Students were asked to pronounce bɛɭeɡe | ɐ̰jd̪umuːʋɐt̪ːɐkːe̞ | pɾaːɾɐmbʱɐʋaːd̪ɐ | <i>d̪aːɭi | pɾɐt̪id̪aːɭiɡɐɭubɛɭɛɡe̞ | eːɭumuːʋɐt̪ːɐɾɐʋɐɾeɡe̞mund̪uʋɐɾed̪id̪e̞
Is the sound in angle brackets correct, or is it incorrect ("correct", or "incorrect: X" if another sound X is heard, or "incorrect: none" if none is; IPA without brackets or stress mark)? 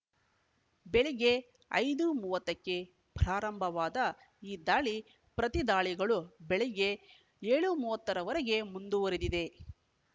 incorrect: iː